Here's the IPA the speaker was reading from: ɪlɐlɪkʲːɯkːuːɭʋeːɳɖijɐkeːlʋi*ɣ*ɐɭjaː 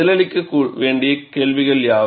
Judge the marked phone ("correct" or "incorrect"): correct